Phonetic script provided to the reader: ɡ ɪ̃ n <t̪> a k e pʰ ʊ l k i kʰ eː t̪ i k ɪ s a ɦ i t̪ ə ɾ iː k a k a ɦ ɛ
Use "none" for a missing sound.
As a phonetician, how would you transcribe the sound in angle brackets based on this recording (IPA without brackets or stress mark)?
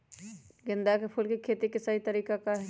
d̪